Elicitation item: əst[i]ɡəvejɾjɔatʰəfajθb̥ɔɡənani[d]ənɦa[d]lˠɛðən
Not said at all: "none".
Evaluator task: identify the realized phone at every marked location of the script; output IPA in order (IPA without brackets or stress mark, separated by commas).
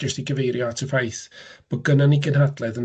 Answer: i, ɡ, d